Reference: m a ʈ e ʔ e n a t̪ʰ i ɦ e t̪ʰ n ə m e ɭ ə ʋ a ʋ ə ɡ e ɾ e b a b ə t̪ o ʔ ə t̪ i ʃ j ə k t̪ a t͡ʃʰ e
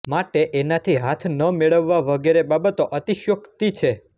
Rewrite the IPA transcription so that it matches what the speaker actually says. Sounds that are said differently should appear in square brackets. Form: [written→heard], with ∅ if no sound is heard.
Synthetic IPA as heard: m a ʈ e ʔ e n a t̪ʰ i ɦ [e→a] t̪ʰ n ə m e ɭ ə [ʋ→ʋː] a ʋ ə ɡ e ɾ e b a b ə t̪ o ʔ ə t̪ i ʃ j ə k t̪ [a→i] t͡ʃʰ e